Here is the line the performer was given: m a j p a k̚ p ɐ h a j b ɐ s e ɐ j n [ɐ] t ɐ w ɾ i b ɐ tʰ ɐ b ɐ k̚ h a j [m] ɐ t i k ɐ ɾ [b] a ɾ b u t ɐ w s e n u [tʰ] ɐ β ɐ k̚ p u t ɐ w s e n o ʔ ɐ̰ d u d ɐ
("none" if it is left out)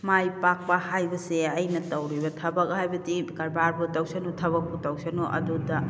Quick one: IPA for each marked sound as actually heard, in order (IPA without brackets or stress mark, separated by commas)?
ɐ, b, b, tʰ